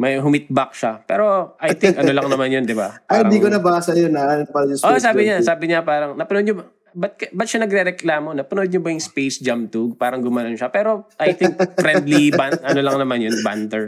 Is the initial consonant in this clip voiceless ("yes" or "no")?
no